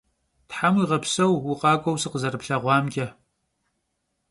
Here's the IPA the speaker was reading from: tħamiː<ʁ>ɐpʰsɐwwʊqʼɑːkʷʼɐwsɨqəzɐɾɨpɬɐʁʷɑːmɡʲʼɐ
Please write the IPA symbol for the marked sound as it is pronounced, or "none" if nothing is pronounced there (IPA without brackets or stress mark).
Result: ʁ